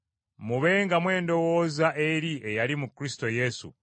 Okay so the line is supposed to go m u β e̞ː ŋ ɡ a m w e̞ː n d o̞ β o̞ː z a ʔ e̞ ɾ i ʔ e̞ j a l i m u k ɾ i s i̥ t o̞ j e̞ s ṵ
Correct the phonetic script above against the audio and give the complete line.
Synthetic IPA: m u β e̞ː ŋ ɡ a m w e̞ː n d o̞ w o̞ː z a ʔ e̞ ɾ i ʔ e̞ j a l i m u k ɾ i s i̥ t o̞ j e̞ s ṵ